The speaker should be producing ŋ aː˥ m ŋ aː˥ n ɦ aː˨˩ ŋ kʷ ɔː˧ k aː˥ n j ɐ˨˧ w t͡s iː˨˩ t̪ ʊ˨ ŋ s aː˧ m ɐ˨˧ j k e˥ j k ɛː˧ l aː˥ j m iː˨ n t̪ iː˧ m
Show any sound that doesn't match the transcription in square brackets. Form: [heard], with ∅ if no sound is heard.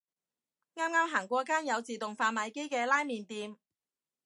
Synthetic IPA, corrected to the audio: ŋ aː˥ m ŋ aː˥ [m] ɦ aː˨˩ ŋ kʷ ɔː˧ k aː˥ n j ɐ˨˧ w t͡s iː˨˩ t̪ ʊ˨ ŋ [f] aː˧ m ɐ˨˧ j k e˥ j k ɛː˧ l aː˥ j m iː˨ n t̪ iː˧ m

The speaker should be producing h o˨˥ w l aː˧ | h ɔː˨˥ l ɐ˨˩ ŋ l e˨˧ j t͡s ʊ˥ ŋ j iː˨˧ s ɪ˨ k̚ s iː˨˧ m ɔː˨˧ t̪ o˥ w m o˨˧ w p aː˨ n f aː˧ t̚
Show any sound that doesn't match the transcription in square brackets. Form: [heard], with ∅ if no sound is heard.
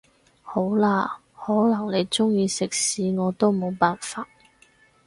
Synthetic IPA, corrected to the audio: h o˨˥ w l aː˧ | h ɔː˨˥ l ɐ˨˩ ŋ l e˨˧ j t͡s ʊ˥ ŋ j iː˨˧ s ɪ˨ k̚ s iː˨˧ [ŋ] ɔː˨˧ t̪ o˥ w m o˨˧ w p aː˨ n f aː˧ t̚

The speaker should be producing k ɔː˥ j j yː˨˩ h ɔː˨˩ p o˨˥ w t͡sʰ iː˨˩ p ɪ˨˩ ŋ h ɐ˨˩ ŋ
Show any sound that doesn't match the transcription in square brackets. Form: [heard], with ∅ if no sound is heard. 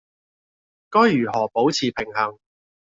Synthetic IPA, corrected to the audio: k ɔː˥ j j yː˨˩ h ɔː˨˩ p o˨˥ w t͡sʰ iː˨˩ [pʰ] ɪ˨˩ ŋ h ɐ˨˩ ŋ

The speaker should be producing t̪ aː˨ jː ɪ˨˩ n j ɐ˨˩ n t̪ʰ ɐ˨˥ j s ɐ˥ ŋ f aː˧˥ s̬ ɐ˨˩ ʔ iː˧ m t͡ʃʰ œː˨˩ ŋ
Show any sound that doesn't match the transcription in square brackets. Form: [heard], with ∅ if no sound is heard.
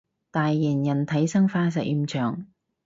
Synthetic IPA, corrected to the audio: t̪ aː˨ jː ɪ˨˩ n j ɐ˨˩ n t̪ʰ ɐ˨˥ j s ɐ˥ ŋ f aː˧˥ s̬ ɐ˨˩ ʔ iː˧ m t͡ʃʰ œː˨˩ ŋ

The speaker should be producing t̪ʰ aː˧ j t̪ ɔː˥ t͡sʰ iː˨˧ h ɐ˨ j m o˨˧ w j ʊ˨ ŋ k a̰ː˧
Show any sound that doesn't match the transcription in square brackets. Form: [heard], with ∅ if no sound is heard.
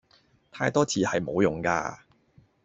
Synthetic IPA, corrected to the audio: t̪ʰ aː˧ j t̪ ɔː˥ t͡sʰ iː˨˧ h ɐ˨ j m o˨˧ w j ʊ˨ ŋ k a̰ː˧

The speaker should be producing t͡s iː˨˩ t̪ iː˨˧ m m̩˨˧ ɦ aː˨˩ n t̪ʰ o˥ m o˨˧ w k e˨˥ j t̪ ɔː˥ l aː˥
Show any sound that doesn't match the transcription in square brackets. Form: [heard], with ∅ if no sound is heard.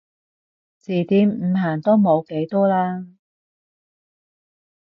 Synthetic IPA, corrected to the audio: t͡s iː˨˩ t̪ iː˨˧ m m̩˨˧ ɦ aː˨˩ n [t̪] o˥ m o˨˧ w k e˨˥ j t̪ ɔː˥ l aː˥

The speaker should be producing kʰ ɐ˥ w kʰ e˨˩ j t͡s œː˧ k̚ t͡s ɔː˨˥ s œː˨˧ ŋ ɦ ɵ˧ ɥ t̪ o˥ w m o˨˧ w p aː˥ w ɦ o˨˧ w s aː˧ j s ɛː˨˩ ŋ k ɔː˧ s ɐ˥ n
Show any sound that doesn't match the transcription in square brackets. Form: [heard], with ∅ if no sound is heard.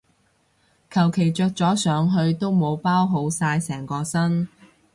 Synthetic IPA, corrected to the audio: kʰ [ɐ˨˩] w kʰ e˨˩ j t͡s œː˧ k̚ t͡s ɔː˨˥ s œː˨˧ ŋ ɦ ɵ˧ ɥ t̪ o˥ w m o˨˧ w p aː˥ w ɦ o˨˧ w s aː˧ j s ɛː˨˩ ŋ k ɔː˧ s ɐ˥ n

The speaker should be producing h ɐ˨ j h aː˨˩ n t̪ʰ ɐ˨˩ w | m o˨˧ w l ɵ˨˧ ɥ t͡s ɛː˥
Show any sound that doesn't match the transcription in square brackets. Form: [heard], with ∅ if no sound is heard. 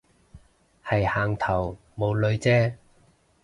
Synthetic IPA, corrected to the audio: h ɐ˨ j h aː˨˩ [ŋ] t̪ʰ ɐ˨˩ w | m o˨˧ w l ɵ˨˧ ɥ t͡s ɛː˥

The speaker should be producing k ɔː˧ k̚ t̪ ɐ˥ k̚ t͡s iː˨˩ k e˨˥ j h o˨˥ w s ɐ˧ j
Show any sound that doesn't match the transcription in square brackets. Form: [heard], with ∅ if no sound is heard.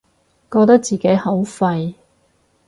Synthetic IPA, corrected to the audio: k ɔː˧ k̚ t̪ ɐ˥ k̚ t͡s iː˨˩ k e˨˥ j h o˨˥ w [f] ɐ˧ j

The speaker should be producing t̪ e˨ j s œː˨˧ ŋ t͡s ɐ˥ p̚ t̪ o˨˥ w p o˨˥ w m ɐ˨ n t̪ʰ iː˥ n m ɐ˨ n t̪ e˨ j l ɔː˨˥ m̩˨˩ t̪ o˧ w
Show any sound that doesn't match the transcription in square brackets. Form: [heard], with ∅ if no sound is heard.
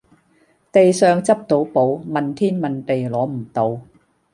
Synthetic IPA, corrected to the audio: t̪ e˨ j s œː˨˧ ŋ t͡s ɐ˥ p̚ t̪ o˨˥ w p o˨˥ w m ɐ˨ n t̪ʰ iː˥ n m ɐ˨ n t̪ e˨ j l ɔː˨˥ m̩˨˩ t̪ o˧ w

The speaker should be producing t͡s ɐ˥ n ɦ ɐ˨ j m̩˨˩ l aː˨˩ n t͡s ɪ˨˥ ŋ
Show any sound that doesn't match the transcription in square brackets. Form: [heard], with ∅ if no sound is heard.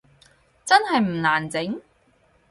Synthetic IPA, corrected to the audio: t͡s ɐ˥ n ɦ ɐ˨ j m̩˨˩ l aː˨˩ n t͡s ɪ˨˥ ŋ

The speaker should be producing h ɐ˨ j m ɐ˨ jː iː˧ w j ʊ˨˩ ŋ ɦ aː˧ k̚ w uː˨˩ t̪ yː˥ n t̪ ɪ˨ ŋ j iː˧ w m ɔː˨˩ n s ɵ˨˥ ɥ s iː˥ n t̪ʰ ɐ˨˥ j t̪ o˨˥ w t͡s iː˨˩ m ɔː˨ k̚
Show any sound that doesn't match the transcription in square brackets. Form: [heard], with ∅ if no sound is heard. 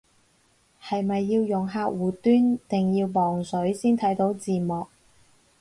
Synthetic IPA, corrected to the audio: h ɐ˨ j m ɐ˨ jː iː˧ w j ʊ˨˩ ŋ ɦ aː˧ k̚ w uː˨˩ t̪ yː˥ n t̪ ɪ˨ ŋ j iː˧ w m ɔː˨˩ [ŋ] s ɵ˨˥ ɥ s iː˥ n t̪ʰ ɐ˨˥ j t̪ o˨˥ w t͡s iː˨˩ m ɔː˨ k̚

